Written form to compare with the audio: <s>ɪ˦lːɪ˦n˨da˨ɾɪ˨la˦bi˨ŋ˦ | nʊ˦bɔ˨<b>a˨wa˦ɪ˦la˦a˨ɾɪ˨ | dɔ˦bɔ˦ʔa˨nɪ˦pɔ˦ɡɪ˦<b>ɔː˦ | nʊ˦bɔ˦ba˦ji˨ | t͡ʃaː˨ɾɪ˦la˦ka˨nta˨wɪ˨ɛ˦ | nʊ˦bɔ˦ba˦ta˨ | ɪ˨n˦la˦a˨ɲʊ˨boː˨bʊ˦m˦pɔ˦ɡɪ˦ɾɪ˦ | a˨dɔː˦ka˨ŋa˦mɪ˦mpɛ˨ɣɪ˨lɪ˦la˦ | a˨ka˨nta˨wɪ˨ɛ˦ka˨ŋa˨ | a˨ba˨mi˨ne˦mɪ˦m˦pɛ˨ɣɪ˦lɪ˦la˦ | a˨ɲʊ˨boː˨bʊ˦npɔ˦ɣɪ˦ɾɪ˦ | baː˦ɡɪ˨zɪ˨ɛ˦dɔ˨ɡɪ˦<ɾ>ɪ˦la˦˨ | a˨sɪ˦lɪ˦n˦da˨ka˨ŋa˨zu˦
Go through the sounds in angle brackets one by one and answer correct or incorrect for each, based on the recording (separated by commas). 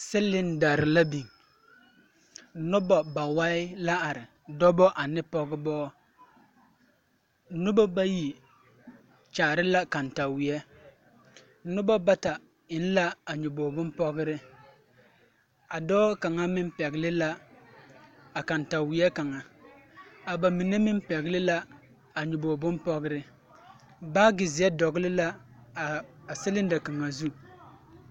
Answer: correct, correct, correct, incorrect